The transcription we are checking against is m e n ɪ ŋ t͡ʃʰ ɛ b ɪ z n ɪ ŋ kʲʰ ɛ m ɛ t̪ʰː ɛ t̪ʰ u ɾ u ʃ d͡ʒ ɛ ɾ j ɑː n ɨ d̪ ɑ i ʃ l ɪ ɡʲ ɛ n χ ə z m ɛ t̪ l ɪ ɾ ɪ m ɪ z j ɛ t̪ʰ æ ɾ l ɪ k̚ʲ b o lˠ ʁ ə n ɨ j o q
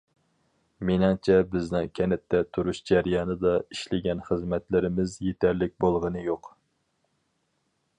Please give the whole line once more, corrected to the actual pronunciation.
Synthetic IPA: m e n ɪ ŋ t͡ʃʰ ɛ b ɪ z n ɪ ŋ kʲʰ ɛ n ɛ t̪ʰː ɛ t̪ʰ u ɾ u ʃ d͡ʒ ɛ ɾ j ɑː n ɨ d̪ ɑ i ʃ l ɪ ɡʲ ɛ n χ ə z m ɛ t̪ l ɪ ɾ ɪ m ɪ z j e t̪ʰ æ ɾ l ɪ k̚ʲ b o lˠ ʁ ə n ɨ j o q